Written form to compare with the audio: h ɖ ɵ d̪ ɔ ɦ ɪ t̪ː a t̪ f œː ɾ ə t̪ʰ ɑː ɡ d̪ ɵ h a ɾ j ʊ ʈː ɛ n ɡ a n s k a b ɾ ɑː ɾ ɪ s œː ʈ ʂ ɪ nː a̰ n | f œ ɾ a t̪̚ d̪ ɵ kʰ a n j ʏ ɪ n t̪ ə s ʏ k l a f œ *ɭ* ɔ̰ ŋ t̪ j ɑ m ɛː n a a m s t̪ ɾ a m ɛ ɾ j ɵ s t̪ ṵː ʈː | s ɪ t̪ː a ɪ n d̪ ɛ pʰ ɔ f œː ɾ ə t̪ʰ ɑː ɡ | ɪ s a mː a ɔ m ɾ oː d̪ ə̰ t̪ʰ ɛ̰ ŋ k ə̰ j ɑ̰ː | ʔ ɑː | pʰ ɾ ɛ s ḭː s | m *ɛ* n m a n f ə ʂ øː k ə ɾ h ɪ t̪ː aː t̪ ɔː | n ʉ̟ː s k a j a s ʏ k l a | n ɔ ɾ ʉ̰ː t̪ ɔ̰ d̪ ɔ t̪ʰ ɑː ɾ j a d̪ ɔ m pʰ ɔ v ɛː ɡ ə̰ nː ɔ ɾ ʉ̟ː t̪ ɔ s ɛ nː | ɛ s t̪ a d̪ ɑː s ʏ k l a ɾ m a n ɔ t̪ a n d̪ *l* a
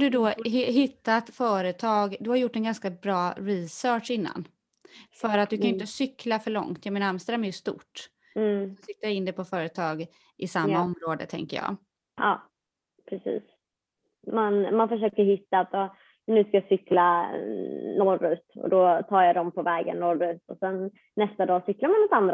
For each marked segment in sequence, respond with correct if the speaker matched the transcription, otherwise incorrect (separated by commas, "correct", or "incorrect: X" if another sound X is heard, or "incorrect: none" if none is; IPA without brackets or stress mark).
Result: correct, incorrect: a, incorrect: ɾ